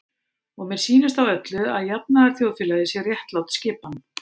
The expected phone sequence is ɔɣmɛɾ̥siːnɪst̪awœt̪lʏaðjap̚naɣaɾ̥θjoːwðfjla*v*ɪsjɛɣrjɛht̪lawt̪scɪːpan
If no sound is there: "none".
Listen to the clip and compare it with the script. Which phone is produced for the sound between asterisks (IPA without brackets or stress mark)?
ð